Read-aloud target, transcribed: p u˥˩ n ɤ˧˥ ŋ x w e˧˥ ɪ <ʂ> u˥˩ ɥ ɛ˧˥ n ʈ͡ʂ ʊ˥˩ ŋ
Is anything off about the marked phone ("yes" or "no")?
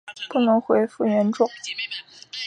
yes